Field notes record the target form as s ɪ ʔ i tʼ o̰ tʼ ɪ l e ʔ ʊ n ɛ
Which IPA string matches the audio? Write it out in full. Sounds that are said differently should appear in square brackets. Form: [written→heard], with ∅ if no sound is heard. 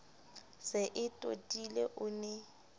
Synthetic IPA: s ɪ ʔ [i→ɪ] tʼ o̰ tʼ [ɪ→i] l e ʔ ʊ n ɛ